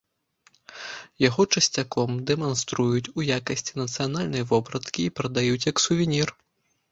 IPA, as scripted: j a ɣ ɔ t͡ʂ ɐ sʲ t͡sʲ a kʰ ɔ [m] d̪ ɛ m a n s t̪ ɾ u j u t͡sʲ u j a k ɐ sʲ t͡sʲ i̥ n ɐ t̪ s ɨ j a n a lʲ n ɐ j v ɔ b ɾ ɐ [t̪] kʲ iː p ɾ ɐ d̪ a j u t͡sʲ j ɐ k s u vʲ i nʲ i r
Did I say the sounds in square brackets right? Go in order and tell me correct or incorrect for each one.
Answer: correct, correct

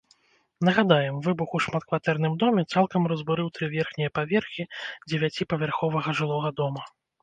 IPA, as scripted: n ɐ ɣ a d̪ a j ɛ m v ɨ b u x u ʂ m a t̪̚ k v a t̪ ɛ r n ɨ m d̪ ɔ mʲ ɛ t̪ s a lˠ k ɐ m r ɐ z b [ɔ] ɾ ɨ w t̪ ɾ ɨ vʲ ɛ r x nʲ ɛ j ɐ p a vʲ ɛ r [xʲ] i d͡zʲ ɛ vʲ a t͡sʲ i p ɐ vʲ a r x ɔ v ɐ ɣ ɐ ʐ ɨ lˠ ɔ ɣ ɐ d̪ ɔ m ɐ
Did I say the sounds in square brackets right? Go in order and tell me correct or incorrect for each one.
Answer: incorrect, correct

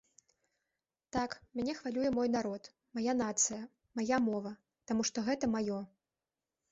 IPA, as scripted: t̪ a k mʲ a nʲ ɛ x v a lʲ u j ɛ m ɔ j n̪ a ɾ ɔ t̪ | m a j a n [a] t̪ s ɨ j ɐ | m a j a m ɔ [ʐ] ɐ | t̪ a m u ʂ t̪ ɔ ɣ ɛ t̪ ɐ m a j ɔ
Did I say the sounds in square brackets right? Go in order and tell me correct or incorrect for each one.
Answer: correct, incorrect

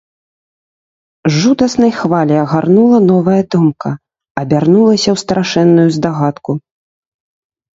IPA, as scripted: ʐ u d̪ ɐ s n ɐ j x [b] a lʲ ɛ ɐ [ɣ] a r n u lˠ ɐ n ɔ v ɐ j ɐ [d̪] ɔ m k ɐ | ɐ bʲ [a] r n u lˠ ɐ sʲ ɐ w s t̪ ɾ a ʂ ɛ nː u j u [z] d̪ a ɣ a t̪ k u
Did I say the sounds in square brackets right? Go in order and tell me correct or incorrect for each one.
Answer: incorrect, correct, correct, correct, correct

